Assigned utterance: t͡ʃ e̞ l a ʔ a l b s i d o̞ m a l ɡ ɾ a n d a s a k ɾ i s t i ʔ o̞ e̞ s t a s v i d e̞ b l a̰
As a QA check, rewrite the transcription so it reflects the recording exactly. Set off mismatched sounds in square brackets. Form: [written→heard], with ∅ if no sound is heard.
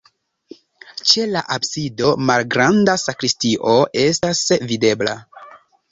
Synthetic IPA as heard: t͡ʃ e̞ l a ʔ a [l→∅] b s i d o̞ m a l ɡ ɾ a n d a s a k ɾ i s t i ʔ o̞ e̞ s t a s v i d e̞ b l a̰